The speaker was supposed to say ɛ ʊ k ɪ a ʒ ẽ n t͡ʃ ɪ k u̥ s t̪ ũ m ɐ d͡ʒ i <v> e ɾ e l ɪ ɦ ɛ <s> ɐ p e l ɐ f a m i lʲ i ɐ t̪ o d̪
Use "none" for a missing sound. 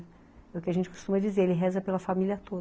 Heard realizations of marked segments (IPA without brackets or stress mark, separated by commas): z, z